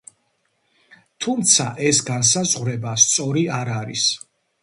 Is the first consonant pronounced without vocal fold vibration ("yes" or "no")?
yes